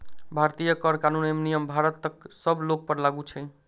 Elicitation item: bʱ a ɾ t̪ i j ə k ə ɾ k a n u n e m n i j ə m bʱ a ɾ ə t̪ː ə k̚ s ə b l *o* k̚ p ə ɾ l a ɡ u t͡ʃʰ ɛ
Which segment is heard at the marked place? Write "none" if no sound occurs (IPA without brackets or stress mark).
o